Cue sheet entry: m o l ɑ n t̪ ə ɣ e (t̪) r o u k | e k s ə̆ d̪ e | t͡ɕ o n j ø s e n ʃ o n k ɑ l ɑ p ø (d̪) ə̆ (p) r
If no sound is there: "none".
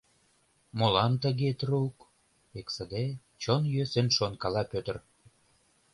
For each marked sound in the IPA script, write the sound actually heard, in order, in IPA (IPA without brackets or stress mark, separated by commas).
t̪, t̪, none